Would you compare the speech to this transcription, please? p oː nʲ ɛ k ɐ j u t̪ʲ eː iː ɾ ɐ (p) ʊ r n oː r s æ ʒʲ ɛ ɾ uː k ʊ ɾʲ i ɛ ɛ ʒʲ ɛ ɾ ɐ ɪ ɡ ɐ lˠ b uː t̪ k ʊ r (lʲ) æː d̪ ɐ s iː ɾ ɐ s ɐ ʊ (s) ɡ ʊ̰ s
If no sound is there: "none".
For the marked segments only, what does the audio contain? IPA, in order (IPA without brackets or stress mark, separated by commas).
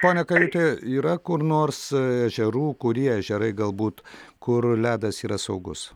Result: k, lʲ, none